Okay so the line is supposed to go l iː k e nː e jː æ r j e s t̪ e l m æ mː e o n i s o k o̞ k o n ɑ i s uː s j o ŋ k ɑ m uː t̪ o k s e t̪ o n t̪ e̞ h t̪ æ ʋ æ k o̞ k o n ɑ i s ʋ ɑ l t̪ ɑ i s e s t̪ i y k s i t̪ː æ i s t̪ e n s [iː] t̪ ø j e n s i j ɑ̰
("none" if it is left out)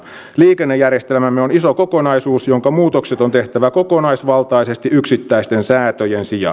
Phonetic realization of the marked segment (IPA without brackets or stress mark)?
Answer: æː